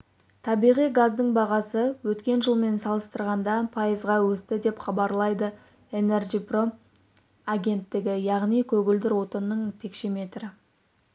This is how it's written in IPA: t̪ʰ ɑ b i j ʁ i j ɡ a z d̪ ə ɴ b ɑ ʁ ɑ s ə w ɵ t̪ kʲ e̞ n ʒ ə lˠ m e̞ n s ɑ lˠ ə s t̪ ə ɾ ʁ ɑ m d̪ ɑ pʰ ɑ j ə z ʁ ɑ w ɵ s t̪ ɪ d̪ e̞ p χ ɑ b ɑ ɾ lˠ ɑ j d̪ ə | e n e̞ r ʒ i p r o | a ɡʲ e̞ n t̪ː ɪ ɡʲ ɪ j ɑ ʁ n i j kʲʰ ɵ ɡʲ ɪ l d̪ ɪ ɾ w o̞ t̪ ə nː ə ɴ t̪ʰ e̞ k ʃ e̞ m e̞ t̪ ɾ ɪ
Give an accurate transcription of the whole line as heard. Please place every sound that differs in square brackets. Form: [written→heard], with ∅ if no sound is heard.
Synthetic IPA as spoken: t̪ʰ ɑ b i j ʁ i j ɡ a z d̪ ə ɴ b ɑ ʁ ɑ s ə w ɵ t̪ kʲ e̞ n ʒ ə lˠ m e̞ n s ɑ lˠ ə s t̪ ə ɾ ʁ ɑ [m→n] d̪ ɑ pʰ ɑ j ə z ʁ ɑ w ɵ s t̪ ɪ d̪ e̞ p χ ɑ b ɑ ɾ lˠ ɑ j d̪ ə | e n e̞ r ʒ i p r o | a ɡʲ e̞ n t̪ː ɪ ɡʲ ɪ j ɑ ʁ n i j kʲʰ ɵ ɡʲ ɪ l d̪ ɪ ɾ w o̞ t̪ ə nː ə ɴ t̪ʰ e̞ k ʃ e̞ m e̞ t̪ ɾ ɪ

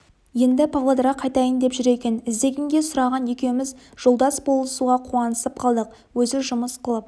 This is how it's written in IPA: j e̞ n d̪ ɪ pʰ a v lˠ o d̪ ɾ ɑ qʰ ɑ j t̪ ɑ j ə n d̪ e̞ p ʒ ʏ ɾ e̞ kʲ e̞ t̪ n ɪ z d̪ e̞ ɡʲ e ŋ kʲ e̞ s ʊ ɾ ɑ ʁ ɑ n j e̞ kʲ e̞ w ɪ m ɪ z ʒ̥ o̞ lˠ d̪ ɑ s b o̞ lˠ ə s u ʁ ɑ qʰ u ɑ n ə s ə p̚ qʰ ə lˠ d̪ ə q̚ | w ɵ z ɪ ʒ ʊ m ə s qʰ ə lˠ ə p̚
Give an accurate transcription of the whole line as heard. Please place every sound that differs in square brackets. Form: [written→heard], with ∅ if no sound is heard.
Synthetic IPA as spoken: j e̞ n d̪ ɪ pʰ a v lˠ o d̪ ɾ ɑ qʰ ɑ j t̪ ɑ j ə n d̪ e̞ p ʒ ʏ ɾ e̞ kʲ e̞ [t̪→∅] n ɪ z d̪ e̞ ɡʲ e ŋ [kʲ→ɡʲ] e̞ s ʊ ɾ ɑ ʁ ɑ n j e̞ kʲ e̞ w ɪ m ɪ z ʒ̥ o̞ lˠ d̪ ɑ s b o̞ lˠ ə s u ʁ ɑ qʰ u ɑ n ə s ə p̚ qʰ [ə→ɑ] lˠ d̪ ə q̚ | w ɵ z ɪ ʒ ʊ m ə s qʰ ə lˠ ə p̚

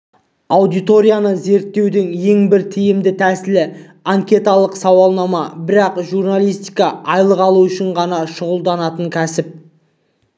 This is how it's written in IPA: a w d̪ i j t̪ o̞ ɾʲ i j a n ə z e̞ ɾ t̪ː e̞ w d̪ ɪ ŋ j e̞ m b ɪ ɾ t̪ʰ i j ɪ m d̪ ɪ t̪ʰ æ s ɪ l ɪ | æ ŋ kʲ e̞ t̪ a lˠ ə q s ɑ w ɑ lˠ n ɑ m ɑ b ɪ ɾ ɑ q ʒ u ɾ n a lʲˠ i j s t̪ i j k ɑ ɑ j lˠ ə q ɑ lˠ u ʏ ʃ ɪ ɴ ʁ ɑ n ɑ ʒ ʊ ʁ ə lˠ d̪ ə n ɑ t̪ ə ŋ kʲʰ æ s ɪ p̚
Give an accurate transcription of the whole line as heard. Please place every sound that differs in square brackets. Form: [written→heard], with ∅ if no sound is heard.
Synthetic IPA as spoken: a w d̪ i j t̪ o̞ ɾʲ i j a n ə z e̞ ɾ t̪ː e̞ w d̪ ɪ ŋ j e̞ [m→ŋ] b ɪ ɾ t̪ʰ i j ɪ m d̪ ɪ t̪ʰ æ s ɪ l ɪ | [æ→a] ŋ kʲ e̞ t̪ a lˠ ə q s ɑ w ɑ lˠ n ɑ m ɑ b ɪ ɾ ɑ q ʒ u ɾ n a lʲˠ i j s t̪ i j k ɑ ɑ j lˠ ə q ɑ lˠ u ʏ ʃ ɪ ɴ ʁ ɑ n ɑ [ʒ→ʃ] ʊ ʁ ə lˠ d̪ [ə→ɑ] n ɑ t̪ ə ŋ kʲʰ æ s ɪ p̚

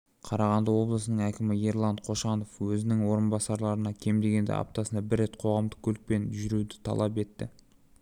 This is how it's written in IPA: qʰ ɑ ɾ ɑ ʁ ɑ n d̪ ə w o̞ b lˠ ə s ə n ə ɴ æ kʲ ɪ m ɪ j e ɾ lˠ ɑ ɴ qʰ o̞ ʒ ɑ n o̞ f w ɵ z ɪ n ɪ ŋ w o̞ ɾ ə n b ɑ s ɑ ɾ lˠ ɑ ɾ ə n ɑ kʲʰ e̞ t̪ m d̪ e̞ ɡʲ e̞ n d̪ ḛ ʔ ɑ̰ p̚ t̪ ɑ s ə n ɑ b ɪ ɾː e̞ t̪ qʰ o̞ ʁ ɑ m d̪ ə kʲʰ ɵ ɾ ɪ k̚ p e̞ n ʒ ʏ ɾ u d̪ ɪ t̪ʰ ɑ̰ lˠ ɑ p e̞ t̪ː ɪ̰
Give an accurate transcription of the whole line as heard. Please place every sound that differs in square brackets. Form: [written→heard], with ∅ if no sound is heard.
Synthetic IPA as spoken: qʰ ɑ ɾ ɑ ʁ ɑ n d̪ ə w o̞ b lˠ ə s ə n ə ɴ æ kʲ ɪ m ɪ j e ɾ lˠ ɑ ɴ qʰ o̞ [ʒ→ʃ] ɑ n o̞ f w ɵ z ɪ n ɪ ŋ w o̞ ɾ ə n b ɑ s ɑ ɾ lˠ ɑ ɾ ə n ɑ kʲʰ e̞ [t̪→∅] m d̪ e̞ ɡʲ e̞ n d̪ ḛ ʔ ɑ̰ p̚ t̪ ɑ s ə n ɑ b ɪ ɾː e̞ t̪ qʰ o̞ ʁ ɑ m d̪ ə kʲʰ ɵ [ɾ→l] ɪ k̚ p e̞ n ʒ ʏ ɾ u d̪ ɪ t̪ʰ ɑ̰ lˠ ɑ p e̞ t̪ː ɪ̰

